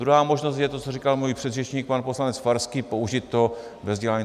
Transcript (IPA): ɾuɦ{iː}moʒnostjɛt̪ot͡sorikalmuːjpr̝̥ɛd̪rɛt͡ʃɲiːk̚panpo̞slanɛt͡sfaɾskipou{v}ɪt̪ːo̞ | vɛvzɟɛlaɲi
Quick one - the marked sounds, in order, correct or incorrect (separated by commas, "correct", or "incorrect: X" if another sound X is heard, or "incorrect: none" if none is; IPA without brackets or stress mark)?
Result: incorrect: aː, incorrect: ʒ